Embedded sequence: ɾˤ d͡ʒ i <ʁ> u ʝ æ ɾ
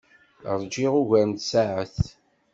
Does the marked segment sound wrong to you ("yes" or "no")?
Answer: no